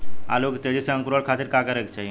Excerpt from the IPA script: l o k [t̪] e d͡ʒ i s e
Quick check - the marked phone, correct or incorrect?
correct